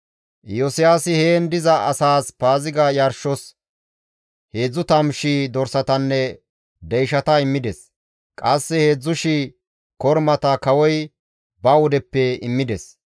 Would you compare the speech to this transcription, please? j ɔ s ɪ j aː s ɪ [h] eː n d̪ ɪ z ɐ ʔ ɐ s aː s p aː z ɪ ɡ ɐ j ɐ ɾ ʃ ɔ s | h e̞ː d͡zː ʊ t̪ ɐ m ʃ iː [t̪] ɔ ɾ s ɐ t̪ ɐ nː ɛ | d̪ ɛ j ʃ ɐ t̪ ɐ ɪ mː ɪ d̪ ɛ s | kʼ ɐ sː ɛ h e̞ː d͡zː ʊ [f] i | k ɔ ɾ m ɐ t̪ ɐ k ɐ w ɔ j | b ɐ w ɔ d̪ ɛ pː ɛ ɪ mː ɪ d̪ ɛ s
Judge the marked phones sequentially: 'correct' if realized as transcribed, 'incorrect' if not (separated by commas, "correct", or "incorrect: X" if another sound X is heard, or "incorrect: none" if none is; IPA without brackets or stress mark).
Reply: correct, incorrect: d̪, incorrect: ʃ